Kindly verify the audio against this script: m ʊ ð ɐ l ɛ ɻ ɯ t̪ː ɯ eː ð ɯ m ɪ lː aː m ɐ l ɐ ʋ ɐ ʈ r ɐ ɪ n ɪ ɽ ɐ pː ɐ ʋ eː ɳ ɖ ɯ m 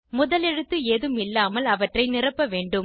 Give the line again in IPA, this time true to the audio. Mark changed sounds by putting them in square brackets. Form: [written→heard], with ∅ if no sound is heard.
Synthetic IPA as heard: m ʊ ð ɐ l ɛ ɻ ɯ t̪ː ɯ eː ð ɯ m ɪ lː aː m ɐ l ɐ ʋ ɐ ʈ r ɐ ɪ n ɪ [ɽ→r] ɐ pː ɐ ʋ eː ɳ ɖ ɯ m